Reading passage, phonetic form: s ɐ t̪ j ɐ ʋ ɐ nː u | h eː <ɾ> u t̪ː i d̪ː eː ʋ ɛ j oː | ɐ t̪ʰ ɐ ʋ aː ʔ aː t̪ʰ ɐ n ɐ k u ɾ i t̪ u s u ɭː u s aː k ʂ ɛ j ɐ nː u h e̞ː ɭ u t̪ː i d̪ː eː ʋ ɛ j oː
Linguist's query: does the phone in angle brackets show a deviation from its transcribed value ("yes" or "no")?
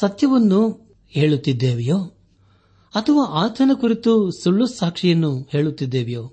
yes